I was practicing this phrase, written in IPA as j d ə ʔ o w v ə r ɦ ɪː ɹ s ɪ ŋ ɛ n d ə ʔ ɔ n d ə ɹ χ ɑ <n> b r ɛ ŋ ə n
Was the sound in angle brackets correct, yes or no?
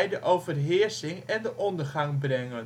no